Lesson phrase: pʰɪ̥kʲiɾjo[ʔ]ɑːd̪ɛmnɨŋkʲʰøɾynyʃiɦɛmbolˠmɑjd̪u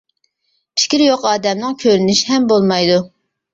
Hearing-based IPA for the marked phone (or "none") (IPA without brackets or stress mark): q